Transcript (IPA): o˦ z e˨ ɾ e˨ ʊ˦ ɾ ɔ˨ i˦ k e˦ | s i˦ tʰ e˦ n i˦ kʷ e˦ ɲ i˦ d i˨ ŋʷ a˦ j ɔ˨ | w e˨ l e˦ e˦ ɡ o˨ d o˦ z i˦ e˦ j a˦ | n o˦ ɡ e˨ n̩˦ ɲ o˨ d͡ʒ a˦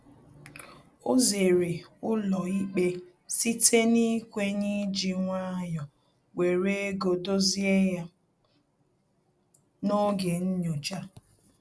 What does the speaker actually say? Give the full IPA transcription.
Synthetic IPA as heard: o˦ z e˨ ɾ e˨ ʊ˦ l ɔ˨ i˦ k͡p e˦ | s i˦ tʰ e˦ n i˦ kʷ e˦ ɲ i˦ d͡ʒ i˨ ŋʷ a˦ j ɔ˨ | w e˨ ɾ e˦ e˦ ɡ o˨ d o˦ z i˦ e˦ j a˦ | n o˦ ɡ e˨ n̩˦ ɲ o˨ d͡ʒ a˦

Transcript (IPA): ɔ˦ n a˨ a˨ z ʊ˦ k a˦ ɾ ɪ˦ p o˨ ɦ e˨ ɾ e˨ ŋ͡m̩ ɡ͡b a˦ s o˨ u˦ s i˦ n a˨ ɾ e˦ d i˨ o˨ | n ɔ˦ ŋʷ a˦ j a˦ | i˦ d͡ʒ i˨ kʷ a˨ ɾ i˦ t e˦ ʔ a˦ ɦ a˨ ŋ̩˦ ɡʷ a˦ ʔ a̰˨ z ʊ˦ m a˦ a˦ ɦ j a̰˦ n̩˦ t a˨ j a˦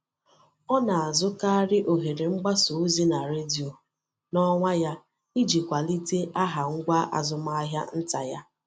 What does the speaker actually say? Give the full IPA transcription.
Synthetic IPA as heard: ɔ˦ n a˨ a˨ z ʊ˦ k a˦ ɾ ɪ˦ ʔ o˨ ɦ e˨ ɾ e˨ ŋ͡m̩ ɡ͡b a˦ s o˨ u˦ z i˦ n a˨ ɾ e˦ d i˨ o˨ | n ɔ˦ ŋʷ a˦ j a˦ | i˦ d͡ʒ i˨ kʷ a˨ l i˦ t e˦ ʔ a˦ ɦ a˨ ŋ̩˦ ɡʷ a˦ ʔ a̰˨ z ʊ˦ m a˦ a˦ ɦ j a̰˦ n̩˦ t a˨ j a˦

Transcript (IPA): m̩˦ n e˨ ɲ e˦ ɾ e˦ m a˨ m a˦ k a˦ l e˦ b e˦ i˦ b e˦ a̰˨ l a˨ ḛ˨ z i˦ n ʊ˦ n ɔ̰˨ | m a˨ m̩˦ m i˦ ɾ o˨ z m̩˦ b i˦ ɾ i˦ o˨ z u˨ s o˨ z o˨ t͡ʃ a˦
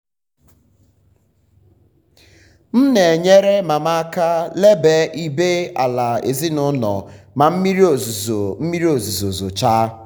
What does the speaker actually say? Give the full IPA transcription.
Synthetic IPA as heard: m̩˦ n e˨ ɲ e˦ ɾ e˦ m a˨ m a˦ k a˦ l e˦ b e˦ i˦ b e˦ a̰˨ l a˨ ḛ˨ z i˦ n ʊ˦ n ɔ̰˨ | m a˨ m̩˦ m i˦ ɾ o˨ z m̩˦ m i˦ ɾ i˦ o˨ z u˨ z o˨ z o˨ t͡ʃ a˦

